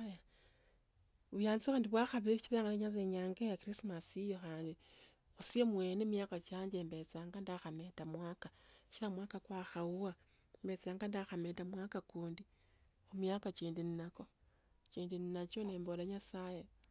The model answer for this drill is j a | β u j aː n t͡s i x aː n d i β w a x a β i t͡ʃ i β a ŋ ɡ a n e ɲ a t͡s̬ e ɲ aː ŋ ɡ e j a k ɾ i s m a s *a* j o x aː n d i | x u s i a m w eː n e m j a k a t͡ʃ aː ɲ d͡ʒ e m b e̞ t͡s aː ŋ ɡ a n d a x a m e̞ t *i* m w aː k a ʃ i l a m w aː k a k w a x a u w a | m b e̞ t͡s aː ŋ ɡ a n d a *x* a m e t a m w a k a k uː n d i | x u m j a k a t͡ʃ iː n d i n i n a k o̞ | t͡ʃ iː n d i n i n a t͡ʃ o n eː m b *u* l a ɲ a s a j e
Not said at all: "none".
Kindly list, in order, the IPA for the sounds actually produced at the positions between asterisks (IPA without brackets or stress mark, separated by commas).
i, a, x, o